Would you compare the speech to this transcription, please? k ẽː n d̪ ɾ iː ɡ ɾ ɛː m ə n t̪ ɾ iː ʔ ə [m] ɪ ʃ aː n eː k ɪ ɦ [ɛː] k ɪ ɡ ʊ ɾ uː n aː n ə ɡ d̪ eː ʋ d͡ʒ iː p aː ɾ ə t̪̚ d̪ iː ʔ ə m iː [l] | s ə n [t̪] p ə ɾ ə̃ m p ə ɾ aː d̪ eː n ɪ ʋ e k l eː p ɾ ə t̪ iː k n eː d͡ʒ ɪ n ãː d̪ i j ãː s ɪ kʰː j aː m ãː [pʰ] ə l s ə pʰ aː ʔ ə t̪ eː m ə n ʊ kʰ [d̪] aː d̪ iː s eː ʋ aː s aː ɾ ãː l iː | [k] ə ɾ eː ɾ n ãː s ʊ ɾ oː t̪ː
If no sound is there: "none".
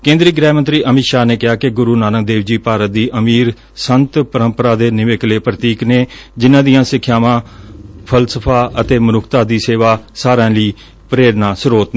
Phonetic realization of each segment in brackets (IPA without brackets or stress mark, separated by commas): m, aː, ɾ, t̪, pʰ, t̪, p